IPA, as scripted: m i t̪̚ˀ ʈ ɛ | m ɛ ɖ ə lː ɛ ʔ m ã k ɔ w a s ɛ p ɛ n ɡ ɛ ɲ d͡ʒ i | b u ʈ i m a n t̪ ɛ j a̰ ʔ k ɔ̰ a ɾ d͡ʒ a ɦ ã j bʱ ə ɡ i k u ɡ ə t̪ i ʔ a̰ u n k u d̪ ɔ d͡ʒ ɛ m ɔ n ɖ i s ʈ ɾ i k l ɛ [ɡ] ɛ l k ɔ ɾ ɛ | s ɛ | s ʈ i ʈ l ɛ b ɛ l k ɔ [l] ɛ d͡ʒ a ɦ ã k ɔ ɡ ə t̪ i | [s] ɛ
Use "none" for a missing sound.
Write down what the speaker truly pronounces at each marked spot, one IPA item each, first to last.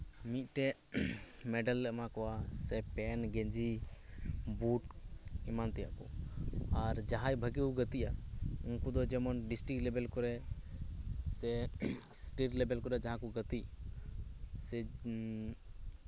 b, ɾ, s

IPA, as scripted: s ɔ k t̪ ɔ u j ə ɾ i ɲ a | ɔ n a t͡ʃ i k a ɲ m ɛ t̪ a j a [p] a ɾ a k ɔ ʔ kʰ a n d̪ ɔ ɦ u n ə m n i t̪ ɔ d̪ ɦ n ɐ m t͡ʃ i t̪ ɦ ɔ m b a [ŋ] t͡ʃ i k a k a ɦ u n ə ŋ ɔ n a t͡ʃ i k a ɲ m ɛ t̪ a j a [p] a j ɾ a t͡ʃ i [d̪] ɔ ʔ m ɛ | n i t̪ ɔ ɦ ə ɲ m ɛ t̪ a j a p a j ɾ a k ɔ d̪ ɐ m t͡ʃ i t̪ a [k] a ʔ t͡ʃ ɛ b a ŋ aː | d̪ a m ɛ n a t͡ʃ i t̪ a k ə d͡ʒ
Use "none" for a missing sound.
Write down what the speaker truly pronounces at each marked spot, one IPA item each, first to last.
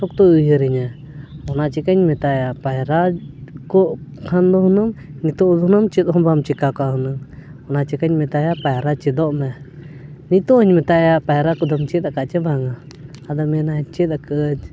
p, m, p, d̪, k

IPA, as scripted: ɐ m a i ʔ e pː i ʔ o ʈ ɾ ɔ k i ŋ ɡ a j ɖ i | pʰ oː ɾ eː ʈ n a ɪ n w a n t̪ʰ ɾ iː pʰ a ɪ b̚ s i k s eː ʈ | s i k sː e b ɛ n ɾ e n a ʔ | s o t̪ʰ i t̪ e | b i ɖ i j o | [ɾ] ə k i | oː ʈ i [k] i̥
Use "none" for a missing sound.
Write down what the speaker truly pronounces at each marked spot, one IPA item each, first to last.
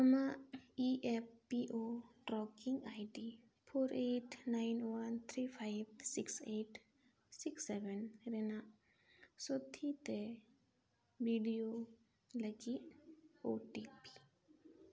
l, p

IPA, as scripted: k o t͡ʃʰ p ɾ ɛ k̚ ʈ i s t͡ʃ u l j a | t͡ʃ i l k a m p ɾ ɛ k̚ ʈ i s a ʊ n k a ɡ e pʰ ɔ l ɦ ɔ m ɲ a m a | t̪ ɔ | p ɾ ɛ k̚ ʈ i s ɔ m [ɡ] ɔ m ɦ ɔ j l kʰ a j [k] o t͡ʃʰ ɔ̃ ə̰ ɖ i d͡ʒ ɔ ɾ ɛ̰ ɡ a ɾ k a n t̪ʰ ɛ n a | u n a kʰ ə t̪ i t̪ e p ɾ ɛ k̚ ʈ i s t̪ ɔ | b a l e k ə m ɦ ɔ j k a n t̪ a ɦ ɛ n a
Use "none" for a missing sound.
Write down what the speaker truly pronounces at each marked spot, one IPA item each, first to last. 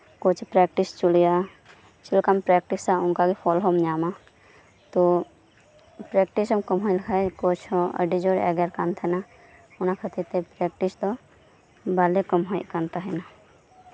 k, k

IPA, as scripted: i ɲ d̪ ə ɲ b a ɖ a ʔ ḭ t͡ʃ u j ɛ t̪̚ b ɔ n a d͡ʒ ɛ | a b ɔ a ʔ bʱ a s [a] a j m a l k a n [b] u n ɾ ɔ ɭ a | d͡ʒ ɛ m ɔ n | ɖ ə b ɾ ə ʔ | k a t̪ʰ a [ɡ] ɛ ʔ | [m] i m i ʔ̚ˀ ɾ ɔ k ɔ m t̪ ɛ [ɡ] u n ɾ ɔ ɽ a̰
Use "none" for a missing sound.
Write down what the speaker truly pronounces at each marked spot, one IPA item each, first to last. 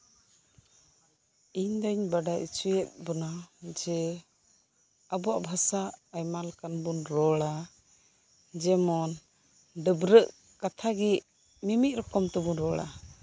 a, b, ɡ, m, b

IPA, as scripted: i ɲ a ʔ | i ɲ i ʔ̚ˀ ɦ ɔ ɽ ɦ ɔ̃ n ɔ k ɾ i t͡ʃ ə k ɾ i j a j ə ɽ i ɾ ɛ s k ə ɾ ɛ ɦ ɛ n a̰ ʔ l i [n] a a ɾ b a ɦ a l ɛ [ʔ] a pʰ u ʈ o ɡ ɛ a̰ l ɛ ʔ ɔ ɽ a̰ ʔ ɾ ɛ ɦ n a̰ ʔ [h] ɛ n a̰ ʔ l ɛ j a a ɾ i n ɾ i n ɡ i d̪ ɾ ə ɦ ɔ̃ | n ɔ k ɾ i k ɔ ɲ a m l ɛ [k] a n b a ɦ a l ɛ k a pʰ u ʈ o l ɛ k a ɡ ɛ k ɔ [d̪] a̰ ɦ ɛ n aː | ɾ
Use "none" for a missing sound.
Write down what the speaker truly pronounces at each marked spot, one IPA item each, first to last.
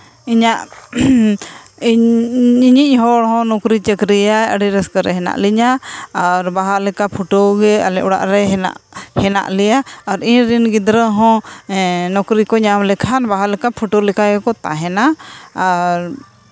ɲ, k, h, kʰ, t̪

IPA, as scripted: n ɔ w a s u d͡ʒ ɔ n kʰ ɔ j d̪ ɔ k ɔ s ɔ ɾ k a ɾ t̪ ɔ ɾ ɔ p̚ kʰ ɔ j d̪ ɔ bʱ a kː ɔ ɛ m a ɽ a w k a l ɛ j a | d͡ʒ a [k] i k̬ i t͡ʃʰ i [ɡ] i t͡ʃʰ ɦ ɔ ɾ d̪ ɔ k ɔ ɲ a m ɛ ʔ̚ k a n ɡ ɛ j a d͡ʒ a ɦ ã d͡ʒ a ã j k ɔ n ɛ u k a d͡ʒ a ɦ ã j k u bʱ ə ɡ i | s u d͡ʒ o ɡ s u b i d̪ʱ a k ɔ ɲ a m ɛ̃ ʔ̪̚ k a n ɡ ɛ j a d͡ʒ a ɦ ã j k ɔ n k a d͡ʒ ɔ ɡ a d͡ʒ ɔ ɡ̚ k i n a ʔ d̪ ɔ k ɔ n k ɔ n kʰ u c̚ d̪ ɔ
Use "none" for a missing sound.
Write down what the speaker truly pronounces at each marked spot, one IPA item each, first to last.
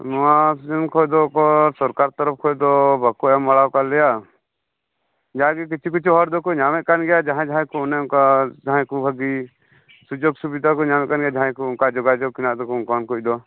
ɡ, k

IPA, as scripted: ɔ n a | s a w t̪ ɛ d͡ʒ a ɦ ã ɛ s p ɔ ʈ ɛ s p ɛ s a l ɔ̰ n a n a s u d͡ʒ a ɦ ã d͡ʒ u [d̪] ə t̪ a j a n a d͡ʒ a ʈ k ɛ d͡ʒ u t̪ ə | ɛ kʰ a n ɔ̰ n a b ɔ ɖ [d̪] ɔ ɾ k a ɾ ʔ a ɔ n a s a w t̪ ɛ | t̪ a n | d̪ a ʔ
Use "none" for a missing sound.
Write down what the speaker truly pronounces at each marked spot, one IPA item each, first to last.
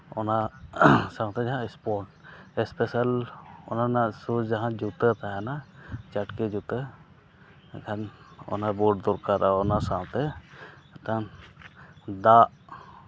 t̪, d̪

